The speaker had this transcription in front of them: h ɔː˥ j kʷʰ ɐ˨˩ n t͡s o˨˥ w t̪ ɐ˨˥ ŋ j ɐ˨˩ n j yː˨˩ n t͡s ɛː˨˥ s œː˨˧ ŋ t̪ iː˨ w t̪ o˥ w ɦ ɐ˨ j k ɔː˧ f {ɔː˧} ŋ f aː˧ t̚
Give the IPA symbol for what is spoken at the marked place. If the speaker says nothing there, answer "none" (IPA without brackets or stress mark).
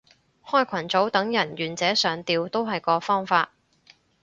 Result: ɔː˥